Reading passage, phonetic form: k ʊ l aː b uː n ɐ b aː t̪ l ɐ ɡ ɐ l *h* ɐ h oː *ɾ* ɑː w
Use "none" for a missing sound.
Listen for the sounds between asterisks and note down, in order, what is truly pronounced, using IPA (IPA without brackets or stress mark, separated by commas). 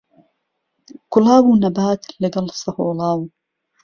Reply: s, l